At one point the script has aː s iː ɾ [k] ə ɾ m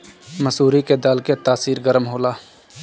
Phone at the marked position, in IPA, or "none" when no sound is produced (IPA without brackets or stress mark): ɡ